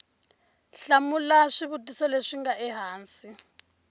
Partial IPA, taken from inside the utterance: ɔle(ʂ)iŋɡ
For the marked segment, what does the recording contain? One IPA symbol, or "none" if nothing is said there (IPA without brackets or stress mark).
ʂ